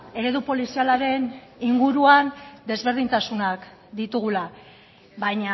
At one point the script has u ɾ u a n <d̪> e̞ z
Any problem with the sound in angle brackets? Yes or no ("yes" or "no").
no